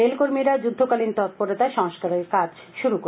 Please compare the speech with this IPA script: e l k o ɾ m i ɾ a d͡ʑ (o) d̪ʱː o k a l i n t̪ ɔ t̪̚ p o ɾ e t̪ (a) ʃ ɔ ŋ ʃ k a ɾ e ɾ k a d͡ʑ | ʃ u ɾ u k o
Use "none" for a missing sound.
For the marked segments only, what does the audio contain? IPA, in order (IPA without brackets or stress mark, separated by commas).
u, a